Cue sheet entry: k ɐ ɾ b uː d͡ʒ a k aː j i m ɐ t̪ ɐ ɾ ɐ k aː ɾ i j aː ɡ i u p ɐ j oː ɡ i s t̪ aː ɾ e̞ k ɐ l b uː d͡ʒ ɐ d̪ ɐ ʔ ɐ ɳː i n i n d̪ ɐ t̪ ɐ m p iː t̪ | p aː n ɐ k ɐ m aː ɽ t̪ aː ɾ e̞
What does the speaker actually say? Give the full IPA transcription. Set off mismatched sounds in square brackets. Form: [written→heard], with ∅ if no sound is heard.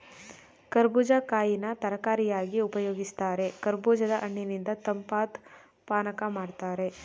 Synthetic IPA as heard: k ɐ ɾ b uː d͡ʒ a k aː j i [m→n] ɐ t̪ ɐ ɾ ɐ k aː ɾ i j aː ɡ i u p ɐ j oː ɡ i s t̪ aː ɾ e̞ k ɐ [l→ɾ] b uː d͡ʒ ɐ d̪ ɐ ʔ ɐ ɳː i n i n d̪ ɐ t̪ ɐ m p [iː→aː] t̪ | p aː n ɐ k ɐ m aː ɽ t̪ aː ɾ e̞